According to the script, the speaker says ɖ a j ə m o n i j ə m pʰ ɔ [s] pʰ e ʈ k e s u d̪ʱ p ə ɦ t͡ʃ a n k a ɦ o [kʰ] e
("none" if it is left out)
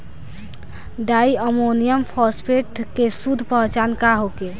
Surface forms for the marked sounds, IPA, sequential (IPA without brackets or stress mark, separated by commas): s, k